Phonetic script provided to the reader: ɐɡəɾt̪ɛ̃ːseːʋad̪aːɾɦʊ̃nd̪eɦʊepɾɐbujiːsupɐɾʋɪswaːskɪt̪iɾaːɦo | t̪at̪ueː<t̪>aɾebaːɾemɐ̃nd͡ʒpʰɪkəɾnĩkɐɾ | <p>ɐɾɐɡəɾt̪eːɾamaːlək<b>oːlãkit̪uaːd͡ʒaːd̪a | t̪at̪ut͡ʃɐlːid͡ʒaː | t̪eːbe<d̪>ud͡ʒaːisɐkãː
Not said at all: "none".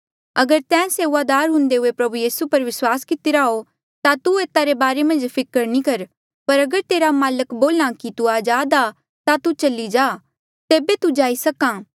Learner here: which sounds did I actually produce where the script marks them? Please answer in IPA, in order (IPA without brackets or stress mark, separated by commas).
t̪, p, b, t̪